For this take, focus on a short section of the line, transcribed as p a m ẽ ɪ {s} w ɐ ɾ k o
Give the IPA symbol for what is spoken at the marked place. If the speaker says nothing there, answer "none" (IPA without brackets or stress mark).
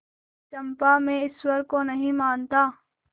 s